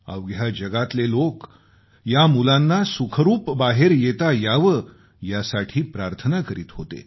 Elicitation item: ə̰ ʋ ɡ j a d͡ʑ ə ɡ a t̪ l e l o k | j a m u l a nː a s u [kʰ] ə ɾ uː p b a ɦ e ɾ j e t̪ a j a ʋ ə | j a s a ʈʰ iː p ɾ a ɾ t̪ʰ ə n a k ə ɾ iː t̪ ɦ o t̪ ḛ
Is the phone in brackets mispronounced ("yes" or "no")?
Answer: no